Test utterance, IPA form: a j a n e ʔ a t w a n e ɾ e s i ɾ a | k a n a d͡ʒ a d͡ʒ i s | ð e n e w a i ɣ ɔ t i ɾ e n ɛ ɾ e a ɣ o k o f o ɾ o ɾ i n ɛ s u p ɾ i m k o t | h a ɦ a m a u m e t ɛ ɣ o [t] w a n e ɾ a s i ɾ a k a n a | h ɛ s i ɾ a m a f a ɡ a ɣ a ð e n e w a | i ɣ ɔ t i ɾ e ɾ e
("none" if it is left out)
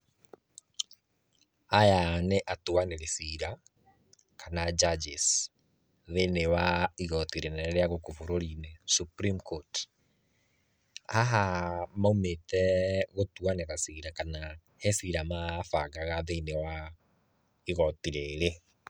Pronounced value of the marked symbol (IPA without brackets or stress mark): t